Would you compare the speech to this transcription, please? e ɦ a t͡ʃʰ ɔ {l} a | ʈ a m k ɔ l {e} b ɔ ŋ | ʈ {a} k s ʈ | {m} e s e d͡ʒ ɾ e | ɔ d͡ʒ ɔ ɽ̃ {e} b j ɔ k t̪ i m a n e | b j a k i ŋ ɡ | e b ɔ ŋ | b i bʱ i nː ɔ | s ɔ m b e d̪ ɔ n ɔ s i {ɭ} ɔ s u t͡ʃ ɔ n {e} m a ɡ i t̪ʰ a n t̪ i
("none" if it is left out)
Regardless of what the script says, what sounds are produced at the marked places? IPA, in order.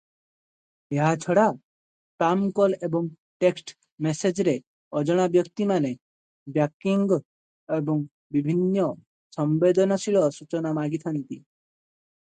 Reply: ɽ, e, e, m, a, ɭ, a

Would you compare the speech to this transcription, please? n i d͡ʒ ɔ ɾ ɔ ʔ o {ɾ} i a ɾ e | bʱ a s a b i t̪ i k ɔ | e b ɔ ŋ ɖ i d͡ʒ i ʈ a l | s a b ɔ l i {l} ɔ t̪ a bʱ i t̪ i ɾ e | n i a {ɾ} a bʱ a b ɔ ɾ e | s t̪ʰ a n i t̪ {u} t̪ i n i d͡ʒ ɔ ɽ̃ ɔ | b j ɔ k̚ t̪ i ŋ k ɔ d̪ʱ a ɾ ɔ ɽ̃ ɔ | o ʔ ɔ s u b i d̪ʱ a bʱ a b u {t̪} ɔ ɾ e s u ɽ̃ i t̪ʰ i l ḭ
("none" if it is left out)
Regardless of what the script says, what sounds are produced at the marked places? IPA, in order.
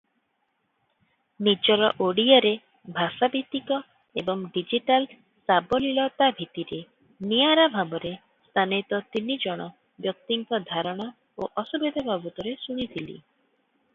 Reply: ɽ, l, ɾ, ɔ, t̪

